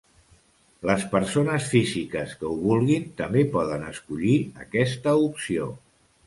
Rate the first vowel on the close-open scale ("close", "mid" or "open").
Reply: mid